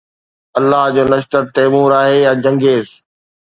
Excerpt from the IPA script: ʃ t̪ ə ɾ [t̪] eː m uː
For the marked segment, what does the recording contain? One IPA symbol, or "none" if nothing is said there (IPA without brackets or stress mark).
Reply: t̪